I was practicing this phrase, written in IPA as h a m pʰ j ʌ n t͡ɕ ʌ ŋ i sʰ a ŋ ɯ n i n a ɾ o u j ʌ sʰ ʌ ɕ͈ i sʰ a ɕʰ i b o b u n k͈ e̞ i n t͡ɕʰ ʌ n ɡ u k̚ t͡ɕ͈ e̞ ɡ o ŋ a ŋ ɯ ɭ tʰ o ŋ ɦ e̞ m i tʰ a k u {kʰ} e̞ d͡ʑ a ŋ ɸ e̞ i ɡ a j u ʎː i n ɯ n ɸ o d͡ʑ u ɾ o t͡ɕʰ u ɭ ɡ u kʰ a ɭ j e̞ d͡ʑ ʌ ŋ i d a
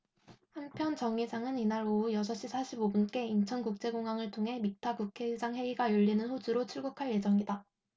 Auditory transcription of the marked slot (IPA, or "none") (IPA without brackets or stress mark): kʰ